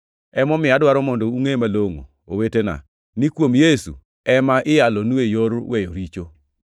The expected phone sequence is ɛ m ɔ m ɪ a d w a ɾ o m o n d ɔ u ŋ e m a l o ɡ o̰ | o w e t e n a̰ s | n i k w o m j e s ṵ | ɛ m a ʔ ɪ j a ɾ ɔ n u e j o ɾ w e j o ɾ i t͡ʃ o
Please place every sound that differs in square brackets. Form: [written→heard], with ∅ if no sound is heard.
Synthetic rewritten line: ɛ m ɔ m ɪ a d w a ɾ [o→ɔ] m [o→ɔ] n d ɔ u ŋ e m a l o [ɡ→ŋ] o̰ | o w e t e n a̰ [s→∅] | n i k w o m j e s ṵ | ɛ m a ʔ ɪ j a [ɾ→l] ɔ n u e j o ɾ w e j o ɾ i t͡ʃ o

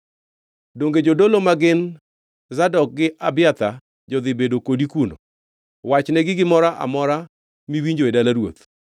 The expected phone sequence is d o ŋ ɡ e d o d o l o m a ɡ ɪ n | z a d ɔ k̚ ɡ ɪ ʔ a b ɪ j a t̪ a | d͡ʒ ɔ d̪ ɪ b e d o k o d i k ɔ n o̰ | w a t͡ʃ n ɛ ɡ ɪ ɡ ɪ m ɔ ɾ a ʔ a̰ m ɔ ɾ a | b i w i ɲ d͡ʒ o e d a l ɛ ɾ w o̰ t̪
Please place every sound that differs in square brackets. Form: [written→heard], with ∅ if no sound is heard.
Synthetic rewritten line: d o ŋ ɡ e [d→d͡ʒ] o d o l o m a ɡ ɪ n | z a d ɔ k̚ ɡ ɪ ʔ a b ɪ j a t̪ a | d͡ʒ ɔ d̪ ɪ b e d o k o d i k [ɔ→u] n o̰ | w a t͡ʃ n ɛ ɡ ɪ ɡ ɪ m ɔ ɾ a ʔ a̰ m ɔ ɾ a | [b→m] i w i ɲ d͡ʒ o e d a l [ɛ→a] ɾ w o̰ t̪

